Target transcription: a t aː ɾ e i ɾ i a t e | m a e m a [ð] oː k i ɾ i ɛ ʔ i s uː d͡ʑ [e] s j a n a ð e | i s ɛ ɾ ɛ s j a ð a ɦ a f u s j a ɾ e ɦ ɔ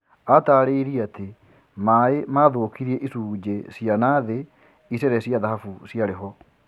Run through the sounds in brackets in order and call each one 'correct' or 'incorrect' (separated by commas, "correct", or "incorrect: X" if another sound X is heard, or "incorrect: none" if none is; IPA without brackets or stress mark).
correct, correct